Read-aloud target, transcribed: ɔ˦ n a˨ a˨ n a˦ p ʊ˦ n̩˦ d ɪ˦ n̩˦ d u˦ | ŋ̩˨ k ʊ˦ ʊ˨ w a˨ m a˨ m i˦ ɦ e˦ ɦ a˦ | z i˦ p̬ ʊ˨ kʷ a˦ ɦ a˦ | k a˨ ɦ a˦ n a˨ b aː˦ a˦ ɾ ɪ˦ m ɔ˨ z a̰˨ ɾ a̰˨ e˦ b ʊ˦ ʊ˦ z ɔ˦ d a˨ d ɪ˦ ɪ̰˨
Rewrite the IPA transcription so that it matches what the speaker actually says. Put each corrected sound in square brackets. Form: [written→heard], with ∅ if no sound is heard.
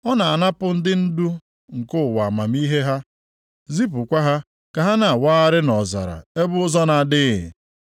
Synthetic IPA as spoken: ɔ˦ n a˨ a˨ n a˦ p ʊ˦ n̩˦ d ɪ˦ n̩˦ d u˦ | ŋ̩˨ k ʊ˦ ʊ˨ w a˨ m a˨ m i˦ ɦ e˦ ɦ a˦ | z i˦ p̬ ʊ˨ kʷ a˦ ɦ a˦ | k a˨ ɦ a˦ n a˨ [b→w] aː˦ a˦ ɾ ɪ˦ [m→n] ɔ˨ z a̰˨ ɾ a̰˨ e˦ b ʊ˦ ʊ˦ z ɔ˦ [d→n] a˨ d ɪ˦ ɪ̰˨